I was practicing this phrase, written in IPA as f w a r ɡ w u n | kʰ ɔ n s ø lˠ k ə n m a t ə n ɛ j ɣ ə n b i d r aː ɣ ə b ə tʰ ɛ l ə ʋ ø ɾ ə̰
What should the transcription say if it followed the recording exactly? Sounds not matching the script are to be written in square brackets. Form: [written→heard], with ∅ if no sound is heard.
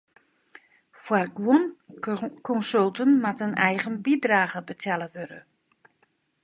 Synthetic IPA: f w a r ɡ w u n | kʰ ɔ n s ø lˠ [k→t] ə n m a t ə n ɛ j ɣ ə n b i d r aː ɣ ə b ə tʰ ɛ l ə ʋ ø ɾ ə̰